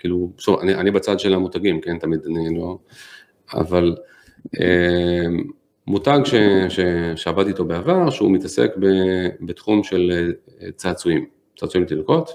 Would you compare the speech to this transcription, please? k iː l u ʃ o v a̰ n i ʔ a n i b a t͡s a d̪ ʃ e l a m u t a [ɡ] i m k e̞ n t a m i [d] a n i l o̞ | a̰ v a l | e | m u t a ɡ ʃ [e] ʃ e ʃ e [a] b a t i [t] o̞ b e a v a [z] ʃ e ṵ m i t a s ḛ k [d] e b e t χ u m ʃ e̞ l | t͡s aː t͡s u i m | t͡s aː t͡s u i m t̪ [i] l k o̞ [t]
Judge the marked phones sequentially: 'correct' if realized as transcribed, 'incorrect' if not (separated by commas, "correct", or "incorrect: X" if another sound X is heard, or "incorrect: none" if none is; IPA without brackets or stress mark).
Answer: correct, correct, correct, correct, correct, incorrect: ʁ, incorrect: b, correct, correct